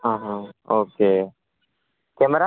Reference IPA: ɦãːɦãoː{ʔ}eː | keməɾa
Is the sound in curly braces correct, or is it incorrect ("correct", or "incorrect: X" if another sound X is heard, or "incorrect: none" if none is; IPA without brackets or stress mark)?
incorrect: k